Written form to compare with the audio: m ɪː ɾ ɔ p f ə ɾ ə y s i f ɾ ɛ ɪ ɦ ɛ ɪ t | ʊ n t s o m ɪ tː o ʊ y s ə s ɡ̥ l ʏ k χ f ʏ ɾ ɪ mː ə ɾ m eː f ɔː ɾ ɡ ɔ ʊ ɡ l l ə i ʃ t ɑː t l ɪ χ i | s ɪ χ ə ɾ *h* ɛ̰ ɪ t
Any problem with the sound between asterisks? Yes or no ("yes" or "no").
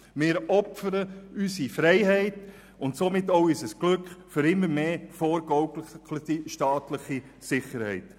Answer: no